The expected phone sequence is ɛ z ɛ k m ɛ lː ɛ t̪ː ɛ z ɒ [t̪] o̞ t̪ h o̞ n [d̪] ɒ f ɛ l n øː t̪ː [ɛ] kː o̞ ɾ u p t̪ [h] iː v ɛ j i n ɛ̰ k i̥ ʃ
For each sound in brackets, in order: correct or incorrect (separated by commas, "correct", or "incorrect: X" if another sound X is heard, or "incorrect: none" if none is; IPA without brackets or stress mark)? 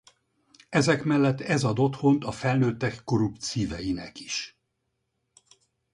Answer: incorrect: d̪, incorrect: t̪, correct, incorrect: s